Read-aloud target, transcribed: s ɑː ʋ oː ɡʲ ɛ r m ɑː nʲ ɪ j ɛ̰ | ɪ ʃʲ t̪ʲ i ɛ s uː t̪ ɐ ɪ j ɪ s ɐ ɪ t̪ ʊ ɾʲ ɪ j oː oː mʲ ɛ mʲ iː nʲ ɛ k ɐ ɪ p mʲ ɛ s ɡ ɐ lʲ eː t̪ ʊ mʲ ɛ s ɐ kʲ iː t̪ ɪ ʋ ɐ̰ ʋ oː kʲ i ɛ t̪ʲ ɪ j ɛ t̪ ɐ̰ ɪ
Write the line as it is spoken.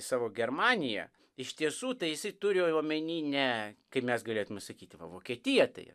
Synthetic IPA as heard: s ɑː ʋ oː ɡʲ ɛ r m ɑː nʲ ɪ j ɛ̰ | ɪ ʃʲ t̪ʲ i ɛ s uː t̪ ɐ ɪ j ɪ s ɐ ɪ t̪ ʊ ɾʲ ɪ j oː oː mʲ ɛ nʲ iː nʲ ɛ k ɐ ɪ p mʲ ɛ s ɡ ɐ lʲ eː t̪ ʊ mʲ ɛ s ɐ kʲ iː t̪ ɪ ʋ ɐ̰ ʋ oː kʲ i ɛ t̪ʲ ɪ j ɛ t̪ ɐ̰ ɪ